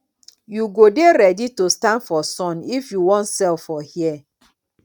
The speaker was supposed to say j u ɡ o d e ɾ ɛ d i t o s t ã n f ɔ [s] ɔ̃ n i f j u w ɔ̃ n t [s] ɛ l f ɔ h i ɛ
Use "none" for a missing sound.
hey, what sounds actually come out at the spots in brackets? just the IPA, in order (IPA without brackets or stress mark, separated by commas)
s, s